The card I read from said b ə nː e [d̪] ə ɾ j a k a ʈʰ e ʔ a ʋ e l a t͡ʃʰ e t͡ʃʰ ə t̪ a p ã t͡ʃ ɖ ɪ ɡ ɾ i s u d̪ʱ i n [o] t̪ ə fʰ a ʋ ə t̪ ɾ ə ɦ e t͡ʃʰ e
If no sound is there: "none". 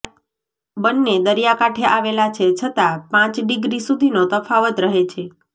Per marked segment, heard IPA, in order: d̪, o

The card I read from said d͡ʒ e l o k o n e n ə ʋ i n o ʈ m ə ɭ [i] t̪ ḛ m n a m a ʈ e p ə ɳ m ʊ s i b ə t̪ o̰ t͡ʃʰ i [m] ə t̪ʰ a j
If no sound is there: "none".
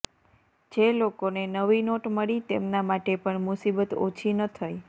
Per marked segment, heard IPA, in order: i, n

